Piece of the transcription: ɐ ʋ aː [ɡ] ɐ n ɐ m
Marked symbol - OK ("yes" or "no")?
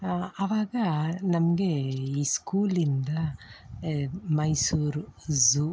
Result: yes